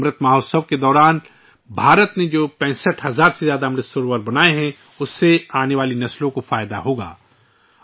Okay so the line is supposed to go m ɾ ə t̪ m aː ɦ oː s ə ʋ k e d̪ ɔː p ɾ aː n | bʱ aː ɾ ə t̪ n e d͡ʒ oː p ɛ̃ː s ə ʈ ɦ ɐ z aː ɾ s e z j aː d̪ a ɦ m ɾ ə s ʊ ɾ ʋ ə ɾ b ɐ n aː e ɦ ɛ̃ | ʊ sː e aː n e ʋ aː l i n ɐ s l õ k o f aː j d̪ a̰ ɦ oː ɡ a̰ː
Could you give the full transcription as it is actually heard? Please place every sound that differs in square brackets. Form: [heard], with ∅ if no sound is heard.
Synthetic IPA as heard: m ɾ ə t̪ m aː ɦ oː s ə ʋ k e d̪ ɔː [∅] ɾ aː n | bʱ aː ɾ ə t̪ n e d͡ʒ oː p ɛ̃ː s ə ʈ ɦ ɐ z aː ɾ s e z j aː d̪ a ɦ m ɾ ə s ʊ ɾ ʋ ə ɾ b ɐ n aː e ɦ ɛ̃ | ʊ sː e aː n e ʋ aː l i n ɐ s l õ k o f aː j d̪ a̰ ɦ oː ɡ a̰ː